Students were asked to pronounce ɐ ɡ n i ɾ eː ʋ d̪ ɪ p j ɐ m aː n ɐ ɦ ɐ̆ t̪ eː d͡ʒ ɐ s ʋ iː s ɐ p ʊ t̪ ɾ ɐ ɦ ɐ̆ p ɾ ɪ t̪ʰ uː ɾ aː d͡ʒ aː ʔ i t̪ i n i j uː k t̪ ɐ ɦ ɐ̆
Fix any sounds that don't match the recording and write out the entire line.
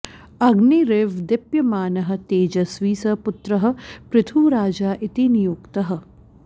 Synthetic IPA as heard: ɐ ɡ n i ɾ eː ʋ d̪ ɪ p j ɐ m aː n ɐ ɦ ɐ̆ t̪ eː d͡ʒ ɐ s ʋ iː s ɐ p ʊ t̪ ɾ ɐ ɦ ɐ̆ p ɾ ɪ t̪ʰ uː ɾ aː d͡ʒ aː ʔ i t̪ i n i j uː k t̪ ɐ ɦ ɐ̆